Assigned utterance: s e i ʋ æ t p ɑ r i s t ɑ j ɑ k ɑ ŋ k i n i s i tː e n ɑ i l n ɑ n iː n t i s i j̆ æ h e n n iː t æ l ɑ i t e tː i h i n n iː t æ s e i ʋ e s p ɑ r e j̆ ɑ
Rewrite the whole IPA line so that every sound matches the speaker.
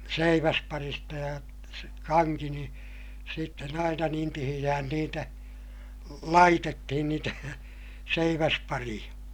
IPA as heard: s e i ʋ æ s p ɑ r i s t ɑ j ɑ k ɑ ŋ k i n i s i tː e n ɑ i n ɑ n iː n t i h i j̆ æ h æ n n iː t æ l ɑ i t e tː i h i n n iː t æ s e i ʋ æ s p ɑ r i j̆ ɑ